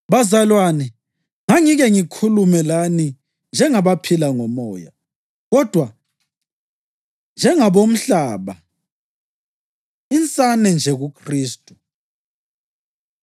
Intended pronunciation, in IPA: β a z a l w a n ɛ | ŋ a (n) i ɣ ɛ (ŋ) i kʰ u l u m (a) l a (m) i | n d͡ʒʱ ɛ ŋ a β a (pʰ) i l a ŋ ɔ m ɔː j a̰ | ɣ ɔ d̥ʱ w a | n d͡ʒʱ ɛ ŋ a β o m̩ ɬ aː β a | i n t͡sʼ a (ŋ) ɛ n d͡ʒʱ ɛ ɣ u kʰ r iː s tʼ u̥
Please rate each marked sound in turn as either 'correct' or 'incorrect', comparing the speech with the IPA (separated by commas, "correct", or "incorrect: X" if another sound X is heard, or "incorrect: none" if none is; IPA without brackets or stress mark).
incorrect: ŋ, correct, incorrect: ɛ, incorrect: n, correct, incorrect: n